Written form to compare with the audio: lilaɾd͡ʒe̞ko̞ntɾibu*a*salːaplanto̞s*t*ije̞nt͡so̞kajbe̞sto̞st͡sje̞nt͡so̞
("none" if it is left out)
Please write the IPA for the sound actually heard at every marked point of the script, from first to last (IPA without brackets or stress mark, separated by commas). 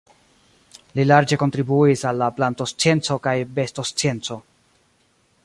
i, t͡s